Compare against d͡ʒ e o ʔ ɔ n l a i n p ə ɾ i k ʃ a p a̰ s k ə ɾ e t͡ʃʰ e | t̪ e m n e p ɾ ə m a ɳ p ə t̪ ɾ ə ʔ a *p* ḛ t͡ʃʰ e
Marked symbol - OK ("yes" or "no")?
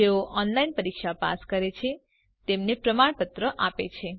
yes